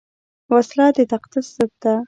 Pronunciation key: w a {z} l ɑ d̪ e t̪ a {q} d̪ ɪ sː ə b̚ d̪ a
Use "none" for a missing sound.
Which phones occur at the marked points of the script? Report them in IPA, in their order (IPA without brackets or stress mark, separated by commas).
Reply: s, q